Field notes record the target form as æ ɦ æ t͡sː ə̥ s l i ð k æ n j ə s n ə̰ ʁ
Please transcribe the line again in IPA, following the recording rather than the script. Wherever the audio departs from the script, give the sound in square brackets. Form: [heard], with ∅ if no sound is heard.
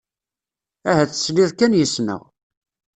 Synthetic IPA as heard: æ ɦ æ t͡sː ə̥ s l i ð k æ n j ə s n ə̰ ʁ